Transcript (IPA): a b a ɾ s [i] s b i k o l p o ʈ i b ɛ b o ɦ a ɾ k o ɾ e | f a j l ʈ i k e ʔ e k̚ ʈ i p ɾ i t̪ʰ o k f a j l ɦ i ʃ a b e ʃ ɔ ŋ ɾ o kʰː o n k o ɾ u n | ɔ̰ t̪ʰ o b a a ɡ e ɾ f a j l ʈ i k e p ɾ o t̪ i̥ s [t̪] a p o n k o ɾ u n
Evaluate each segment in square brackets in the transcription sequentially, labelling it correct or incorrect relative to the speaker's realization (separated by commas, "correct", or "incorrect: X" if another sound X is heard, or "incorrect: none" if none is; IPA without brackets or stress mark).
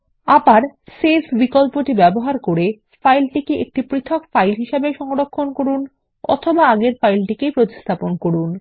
incorrect: e, incorrect: t̪ʰ